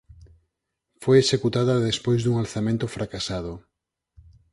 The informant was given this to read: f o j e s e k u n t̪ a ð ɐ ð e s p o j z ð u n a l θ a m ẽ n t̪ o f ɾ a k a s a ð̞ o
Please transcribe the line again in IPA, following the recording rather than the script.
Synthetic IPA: f o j e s e k u t̪ a ð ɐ ð e s p o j z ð u ŋ a l θ a m ẽ n t̪ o f ɾ a k a s a ð̞ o